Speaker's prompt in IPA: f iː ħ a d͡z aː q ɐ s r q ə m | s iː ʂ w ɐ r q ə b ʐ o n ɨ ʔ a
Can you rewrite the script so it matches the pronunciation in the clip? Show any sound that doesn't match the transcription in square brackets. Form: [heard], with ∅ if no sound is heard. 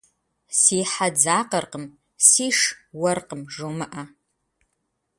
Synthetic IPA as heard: [s] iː ħ a d͡z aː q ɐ [∅] r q ə m | s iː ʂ w ɐ r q ə [m] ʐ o [m] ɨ ʔ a